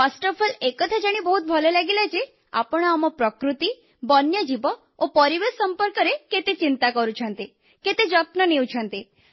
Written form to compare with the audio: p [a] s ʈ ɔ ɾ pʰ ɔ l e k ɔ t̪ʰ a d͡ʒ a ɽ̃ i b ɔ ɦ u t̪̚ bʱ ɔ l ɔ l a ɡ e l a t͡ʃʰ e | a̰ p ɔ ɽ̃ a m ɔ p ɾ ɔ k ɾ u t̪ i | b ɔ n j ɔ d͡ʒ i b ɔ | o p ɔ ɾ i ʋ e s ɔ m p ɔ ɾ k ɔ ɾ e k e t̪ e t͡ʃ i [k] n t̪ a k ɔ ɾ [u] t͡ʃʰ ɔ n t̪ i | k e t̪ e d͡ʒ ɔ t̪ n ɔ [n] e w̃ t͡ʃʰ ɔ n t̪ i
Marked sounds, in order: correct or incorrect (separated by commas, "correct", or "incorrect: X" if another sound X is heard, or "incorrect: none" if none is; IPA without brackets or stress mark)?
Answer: correct, incorrect: none, correct, correct